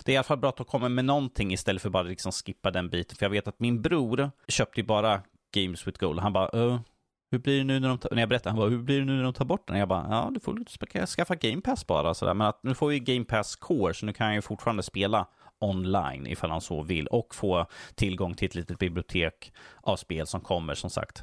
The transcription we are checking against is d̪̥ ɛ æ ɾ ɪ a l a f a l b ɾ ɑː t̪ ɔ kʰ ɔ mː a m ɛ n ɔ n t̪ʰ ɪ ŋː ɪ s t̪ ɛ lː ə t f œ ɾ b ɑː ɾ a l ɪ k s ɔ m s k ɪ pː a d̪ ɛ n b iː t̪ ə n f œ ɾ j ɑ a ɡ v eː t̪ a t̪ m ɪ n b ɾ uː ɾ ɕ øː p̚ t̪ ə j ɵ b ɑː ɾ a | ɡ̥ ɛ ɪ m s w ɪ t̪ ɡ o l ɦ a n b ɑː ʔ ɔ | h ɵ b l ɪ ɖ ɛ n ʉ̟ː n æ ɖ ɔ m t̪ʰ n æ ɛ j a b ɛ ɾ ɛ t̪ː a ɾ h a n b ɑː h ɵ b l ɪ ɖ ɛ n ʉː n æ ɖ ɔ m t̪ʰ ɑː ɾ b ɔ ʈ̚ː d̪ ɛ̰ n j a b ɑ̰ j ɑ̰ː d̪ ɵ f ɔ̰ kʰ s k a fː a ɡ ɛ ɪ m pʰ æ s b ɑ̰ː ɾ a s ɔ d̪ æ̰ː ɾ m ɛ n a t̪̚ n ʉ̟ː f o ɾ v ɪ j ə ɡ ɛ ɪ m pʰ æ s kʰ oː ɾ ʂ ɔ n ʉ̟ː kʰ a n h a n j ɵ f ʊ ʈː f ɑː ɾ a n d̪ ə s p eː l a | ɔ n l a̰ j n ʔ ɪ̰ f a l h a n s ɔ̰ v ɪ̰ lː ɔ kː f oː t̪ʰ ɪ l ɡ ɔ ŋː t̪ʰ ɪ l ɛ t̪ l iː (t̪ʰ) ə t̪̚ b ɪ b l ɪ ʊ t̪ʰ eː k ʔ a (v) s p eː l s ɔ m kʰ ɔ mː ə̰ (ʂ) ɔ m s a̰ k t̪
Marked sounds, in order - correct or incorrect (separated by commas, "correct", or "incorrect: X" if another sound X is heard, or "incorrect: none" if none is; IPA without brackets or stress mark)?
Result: incorrect: t̪, correct, correct